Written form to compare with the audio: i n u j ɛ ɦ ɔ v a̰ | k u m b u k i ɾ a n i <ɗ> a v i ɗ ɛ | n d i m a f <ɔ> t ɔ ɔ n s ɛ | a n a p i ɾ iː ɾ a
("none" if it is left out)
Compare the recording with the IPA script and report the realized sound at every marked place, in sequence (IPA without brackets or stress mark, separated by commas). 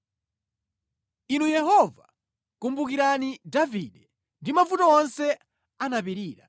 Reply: d, u